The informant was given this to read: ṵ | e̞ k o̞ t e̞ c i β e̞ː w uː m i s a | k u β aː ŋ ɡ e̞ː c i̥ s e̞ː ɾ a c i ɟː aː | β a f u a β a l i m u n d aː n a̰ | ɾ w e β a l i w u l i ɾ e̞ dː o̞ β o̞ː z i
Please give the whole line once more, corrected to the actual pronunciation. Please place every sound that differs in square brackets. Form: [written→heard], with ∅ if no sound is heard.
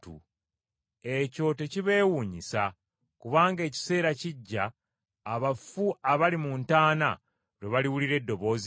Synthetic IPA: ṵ | e̞ [k→c] o̞ t e̞ c i β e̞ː w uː [m→ɲ] i s a | k u β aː ŋ ɡ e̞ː c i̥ s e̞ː ɾ a c i ɟː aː | β a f u a β a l i m u n [d→t] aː n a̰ | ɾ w e β a l i w u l i ɾ e̞ dː o̞ β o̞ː z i